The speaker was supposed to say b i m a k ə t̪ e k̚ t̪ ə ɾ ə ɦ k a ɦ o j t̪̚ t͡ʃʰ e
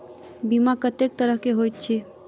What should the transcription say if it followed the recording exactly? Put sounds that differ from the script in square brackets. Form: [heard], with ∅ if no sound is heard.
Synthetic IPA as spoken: b i m a k ə t̪ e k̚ t̪ ə ɾ ə ɦ k [e] ɦ o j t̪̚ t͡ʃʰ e